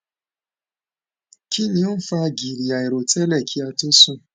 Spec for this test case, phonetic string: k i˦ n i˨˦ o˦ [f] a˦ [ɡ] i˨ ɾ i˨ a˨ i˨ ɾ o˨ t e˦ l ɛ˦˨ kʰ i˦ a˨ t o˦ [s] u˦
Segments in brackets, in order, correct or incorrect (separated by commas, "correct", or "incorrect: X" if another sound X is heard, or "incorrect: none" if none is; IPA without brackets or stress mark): correct, correct, correct